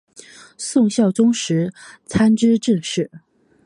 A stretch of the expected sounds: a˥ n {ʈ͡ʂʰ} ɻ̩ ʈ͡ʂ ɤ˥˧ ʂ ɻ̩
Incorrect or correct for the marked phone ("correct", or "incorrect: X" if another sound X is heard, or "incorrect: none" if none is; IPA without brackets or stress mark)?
incorrect: ʈ͡ʂ